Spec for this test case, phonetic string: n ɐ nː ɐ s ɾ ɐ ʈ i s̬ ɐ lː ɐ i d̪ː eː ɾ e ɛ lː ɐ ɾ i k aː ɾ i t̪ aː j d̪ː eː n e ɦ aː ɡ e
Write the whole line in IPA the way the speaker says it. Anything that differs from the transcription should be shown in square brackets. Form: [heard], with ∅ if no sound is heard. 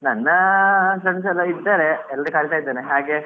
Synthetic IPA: n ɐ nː ɐ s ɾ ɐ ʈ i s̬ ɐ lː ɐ i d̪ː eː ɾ e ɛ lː ɐ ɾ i k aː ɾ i t̪ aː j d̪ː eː n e ɦ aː ɡ e